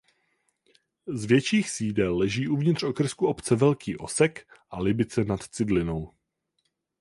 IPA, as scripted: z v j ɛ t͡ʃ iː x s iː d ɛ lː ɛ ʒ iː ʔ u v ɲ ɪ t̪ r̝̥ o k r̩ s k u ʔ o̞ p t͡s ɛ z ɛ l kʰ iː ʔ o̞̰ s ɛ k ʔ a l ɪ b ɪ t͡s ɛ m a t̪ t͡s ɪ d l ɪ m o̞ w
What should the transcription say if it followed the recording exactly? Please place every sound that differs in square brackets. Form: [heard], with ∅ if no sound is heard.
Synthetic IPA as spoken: z v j ɛ t͡ʃ iː x s iː d ɛ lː ɛ ʒ iː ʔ u v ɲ ɪ t̪ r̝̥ o k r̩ s k u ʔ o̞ p t͡s ɛ [v] ɛ l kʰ iː ʔ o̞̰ s ɛ k ʔ a l ɪ b ɪ t͡s ɛ [n] a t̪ t͡s ɪ d l ɪ [n] o̞ w